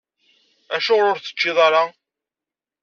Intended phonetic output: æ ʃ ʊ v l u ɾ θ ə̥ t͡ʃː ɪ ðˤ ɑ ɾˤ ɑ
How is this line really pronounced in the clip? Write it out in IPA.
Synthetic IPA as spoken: æ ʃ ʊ ʁ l ʊ ɾ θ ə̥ t͡ʃː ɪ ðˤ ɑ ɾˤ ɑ